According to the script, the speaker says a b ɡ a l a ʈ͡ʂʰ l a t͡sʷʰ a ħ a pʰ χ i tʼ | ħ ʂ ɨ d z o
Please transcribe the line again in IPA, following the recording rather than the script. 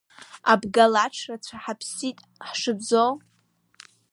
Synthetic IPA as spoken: a b ɡ a l a ʈ͡ʂʰ r a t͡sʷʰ a ħ a pʰ s i tʼ | ħ ʂ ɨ b z o

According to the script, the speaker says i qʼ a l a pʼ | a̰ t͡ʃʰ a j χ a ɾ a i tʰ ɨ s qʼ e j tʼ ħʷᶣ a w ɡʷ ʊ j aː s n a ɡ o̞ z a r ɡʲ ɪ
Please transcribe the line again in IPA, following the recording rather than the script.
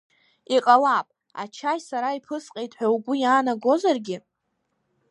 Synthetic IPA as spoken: i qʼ a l a pʼ | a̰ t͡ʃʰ a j s a ɾ a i pʰ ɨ s qʼ e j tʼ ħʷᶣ a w ɡʷ ʊ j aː n a ɡ o̞ z a r ɡʲ ɪ

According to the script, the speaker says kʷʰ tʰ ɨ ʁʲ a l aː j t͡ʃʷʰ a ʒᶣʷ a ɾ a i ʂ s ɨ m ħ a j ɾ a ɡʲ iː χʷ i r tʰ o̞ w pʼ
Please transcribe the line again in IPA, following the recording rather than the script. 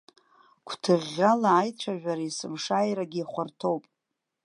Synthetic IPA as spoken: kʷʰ tʰ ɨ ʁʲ a l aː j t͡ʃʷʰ a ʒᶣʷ a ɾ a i s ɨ m ʂ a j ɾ a ɡʲ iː χʷ a r tʰ o̞ w pʼ

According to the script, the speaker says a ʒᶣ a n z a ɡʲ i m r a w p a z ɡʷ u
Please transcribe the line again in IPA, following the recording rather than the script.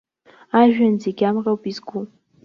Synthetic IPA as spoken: a ʒᶣ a n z e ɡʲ a m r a w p i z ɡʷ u

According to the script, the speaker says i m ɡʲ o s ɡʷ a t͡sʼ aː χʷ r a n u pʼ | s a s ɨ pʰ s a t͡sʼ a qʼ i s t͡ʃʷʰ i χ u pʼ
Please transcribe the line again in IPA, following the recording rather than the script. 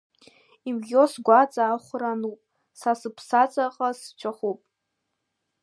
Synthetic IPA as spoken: i m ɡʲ o s ɡʷ a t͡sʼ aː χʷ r a n u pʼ | s a s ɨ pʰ s a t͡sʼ a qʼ a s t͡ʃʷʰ a χ u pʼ

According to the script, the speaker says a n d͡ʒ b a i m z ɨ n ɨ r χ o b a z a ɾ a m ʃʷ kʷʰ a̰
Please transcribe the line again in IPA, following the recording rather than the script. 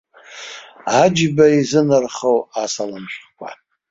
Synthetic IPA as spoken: a d͡ʒ b a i z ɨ n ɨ r χ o w a s a l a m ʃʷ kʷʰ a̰

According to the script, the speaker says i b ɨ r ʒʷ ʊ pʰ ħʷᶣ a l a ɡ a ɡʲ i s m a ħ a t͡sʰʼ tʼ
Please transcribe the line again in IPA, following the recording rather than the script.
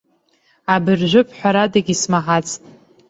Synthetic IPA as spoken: a b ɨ r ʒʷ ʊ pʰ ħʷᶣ a ɾ a d a ɡʲ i s m a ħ a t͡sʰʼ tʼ

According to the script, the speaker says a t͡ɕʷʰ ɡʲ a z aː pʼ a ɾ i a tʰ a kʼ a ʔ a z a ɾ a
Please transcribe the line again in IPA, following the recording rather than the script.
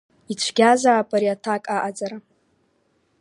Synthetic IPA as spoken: i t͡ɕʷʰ ɡʲ a z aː pʼ a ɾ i a tʰ a kʼ a ʔ a d͡z a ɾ a

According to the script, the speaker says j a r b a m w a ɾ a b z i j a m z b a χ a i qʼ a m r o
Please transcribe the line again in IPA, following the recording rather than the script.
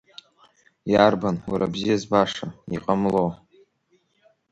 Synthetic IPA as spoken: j a r b a n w a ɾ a b z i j a z b a ʂ a i qʼ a m l o

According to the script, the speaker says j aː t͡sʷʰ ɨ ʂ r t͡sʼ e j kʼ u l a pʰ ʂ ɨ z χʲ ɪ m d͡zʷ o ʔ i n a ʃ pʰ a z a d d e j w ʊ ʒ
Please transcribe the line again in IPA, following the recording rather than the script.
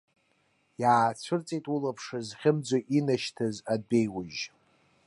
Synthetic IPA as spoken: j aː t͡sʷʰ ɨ r t͡sʼ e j tʼ u l a pʰ ʂ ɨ z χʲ ɪ m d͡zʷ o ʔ i n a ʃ tʰ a z a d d e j w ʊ ʒ

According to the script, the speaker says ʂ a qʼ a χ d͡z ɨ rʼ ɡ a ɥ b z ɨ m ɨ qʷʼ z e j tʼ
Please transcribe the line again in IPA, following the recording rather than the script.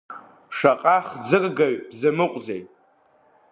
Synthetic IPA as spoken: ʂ a qʼ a χ d͡z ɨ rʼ ɡ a ɥ b z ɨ m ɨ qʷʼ z e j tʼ

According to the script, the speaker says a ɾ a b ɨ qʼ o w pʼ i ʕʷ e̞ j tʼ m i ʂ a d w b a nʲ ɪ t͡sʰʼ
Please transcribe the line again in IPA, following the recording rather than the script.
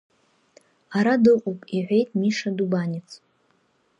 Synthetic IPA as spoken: a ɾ a d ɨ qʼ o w pʼ i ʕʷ e̞ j tʼ m i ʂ a d u b a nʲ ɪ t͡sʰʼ

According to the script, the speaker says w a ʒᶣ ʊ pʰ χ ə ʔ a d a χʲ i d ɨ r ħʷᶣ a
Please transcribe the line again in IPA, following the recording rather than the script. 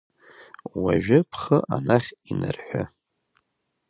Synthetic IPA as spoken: w a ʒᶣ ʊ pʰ χ ə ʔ a n a χʲ i n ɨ r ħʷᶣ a

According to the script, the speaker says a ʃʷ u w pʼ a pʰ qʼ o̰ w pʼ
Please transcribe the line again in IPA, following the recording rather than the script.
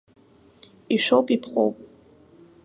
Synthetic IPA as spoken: i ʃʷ o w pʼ i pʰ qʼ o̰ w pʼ

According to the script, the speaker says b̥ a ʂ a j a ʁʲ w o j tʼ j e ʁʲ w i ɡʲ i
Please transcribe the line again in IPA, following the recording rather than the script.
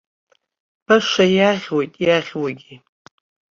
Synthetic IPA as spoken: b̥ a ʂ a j a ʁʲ w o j tʼ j a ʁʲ w a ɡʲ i

